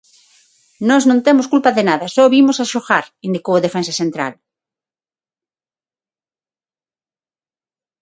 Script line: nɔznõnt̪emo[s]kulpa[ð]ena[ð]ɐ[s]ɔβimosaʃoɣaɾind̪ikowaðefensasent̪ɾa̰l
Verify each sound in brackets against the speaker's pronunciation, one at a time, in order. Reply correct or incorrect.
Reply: correct, correct, correct, correct

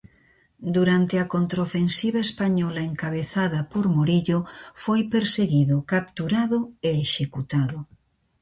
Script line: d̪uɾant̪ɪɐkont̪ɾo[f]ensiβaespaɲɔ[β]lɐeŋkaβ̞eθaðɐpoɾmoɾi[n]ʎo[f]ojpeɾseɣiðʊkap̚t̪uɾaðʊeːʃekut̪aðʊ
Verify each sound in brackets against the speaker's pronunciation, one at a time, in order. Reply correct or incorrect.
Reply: correct, incorrect, incorrect, correct

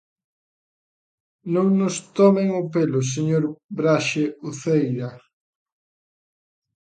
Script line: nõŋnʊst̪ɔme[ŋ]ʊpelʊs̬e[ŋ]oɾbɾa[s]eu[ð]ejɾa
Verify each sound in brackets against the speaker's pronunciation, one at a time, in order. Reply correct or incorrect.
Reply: correct, incorrect, incorrect, incorrect

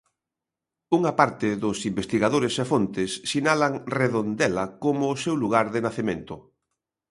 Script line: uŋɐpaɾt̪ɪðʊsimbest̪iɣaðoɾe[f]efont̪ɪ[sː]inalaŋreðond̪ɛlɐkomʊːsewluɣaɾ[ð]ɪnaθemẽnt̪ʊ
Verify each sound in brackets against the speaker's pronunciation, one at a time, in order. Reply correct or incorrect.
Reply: incorrect, correct, correct

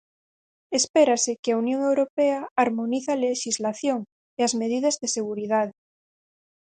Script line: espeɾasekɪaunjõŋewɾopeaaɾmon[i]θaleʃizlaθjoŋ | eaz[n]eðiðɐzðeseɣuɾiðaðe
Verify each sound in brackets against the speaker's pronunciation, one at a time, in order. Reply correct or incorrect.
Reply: correct, incorrect

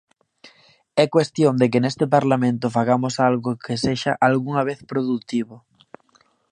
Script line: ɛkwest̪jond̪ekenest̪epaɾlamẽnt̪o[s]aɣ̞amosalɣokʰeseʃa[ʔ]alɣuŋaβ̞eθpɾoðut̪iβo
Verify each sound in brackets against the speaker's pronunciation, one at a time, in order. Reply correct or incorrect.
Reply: incorrect, correct

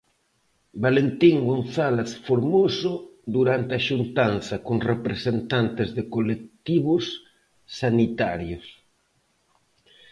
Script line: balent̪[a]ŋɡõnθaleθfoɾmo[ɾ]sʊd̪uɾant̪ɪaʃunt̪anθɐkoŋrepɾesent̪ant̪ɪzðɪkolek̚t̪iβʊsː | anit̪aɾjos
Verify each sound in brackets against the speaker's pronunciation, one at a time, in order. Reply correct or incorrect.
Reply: incorrect, incorrect

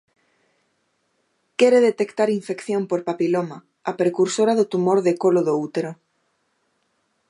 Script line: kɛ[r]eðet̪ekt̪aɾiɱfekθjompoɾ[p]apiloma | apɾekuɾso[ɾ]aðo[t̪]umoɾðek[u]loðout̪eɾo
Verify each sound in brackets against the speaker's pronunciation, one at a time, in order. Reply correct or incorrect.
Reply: incorrect, correct, correct, correct, incorrect

